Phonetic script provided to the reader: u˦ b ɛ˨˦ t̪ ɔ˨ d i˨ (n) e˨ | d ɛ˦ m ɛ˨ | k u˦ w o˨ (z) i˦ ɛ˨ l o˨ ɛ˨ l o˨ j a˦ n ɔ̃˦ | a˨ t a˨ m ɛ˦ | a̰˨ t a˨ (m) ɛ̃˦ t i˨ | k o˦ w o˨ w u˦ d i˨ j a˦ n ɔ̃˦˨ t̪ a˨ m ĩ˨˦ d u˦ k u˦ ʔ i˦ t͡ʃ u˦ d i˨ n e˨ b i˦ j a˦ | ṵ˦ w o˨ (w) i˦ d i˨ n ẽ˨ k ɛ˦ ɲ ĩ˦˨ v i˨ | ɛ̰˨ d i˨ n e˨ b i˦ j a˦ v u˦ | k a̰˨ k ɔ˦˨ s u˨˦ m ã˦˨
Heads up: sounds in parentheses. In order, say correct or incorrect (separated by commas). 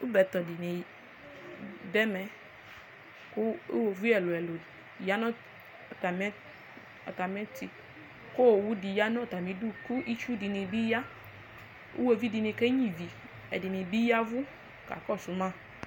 correct, incorrect, correct, incorrect